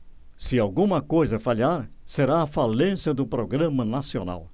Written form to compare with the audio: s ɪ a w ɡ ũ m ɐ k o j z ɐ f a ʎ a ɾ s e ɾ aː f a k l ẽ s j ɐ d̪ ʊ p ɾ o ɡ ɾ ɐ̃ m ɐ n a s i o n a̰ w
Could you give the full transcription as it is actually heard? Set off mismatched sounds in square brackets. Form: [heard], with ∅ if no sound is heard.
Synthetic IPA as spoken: s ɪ a w ɡ ũ m ɐ k o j z ɐ f a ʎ a ɾ s e ɾ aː f a [∅] l ẽ s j ɐ d̪ ʊ p ɾ o ɡ ɾ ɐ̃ m ɐ n a s i o n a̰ w